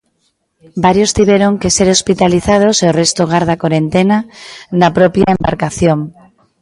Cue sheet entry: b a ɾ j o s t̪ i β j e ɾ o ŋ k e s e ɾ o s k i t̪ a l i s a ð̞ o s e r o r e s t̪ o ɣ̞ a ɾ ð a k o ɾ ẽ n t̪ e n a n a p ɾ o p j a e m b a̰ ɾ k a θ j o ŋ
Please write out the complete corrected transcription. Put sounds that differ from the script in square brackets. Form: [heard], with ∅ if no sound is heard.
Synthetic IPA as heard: b a ɾ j o s t̪ i β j e ɾ o ŋ k e s e ɾ o s [p] i t̪ a l i [θ] a ð̞ o s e [∅] o r e s t̪ o ɣ̞ a ɾ ð a k o ɾ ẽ n t̪ e n a n a p ɾ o p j a e m b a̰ ɾ k a θ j o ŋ